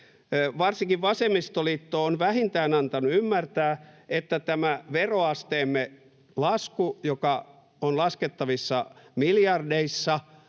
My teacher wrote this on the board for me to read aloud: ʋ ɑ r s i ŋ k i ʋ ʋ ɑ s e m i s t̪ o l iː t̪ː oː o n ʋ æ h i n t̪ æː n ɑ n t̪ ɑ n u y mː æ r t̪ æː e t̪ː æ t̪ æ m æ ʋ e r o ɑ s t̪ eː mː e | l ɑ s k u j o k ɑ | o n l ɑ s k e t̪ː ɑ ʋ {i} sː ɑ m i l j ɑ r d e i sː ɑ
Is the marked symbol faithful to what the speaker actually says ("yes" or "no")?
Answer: yes